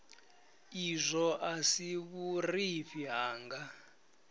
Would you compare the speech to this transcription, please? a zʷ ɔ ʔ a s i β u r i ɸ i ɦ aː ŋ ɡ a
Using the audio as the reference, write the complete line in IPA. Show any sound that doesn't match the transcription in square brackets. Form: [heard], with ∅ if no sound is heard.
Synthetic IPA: [i] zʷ ɔ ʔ a s i β u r i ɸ i ɦ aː ŋ ɡ a